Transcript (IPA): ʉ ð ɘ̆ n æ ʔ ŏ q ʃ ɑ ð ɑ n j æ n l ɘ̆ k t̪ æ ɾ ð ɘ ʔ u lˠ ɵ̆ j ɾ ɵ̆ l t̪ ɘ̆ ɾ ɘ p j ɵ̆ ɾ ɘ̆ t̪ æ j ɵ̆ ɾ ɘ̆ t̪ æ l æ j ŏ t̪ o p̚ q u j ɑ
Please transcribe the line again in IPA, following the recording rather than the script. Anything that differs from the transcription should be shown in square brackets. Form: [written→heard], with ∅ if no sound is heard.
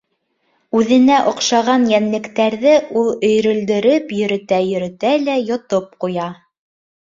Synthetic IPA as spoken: ʉ ð ɘ̆ n æ ʔ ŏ q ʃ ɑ [ð→ʁ] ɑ n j æ n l ɘ̆ k t̪ æ ɾ ð ɘ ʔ u lˠ ɵ̆ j ɾ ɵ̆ l [t̪→d̪] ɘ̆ ɾ ɘ p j ɵ̆ ɾ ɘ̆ t̪ æ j ɵ̆ ɾ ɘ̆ t̪ æ l æ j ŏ t̪ o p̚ q u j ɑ